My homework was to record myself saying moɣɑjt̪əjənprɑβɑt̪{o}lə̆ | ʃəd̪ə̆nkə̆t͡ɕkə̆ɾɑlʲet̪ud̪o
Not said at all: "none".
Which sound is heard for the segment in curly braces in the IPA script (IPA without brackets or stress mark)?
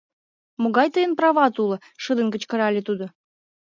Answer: u